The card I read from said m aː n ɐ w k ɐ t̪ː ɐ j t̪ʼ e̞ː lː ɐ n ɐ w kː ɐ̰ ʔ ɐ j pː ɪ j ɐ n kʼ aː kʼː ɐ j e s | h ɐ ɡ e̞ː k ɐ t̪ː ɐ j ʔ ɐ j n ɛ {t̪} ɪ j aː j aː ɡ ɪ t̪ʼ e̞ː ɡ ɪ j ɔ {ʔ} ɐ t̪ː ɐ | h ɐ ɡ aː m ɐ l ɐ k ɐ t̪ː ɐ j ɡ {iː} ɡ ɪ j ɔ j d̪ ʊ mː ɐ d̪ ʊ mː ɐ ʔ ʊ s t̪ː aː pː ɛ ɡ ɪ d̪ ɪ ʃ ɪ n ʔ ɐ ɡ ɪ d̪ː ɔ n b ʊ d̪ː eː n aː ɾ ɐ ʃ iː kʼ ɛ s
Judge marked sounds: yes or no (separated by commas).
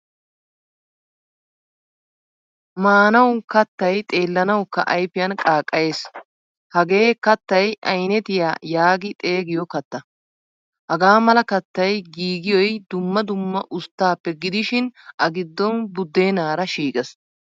yes, no, yes